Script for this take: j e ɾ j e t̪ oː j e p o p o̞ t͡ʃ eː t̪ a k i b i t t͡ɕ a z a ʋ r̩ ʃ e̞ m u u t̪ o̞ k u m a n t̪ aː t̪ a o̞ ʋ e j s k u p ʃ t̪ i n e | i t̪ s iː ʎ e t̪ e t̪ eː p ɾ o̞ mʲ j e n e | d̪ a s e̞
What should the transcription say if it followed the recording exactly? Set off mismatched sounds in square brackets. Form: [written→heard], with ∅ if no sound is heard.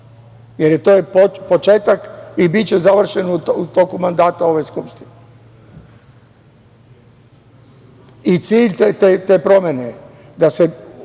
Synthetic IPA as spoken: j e ɾ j e t̪ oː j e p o p o̞ t͡ʃ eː t̪ a k i b i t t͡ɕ [a→e] z a ʋ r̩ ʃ e̞ [m→n] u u t̪ o̞ k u m a n [t̪→d̪] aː t̪ a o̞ ʋ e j s k u p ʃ t̪ i n e | i t̪ s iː ʎ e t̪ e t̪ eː p ɾ o̞ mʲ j e n e | d̪ a s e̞